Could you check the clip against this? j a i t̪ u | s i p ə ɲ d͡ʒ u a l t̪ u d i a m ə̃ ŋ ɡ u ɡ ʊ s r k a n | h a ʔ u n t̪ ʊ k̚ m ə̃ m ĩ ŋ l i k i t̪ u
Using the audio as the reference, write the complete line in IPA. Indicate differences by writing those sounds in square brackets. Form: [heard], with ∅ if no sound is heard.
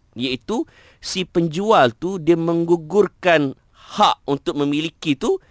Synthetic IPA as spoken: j a i t̪ u | s i p ə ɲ d͡ʒ u a l t̪ u d i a m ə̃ ŋ ɡ u ɡ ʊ [∅] r k a n | h a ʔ u n t̪ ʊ k̚ m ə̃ m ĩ [∅] l i k i t̪ u